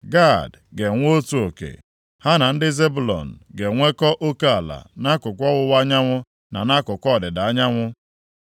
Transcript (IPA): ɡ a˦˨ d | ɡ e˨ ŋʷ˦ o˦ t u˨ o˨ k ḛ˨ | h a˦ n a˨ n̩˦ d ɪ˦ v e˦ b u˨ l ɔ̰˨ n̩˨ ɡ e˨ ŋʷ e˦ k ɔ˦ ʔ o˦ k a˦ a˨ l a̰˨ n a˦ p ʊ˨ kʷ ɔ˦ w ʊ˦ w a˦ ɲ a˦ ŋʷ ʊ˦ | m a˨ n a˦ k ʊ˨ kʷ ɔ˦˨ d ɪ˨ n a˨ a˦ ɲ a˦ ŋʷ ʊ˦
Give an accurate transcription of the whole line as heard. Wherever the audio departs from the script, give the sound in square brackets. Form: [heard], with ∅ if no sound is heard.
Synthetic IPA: ɡ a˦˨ d | ɡ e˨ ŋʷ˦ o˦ t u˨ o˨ k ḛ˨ | h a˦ n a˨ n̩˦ d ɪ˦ [z] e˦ b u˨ l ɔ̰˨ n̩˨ ɡ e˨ ŋʷ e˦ k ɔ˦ ʔ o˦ k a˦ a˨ l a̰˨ n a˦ [k] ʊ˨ kʷ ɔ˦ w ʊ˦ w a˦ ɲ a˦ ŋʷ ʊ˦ | [n] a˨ n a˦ k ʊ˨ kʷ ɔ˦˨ d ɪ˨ [d] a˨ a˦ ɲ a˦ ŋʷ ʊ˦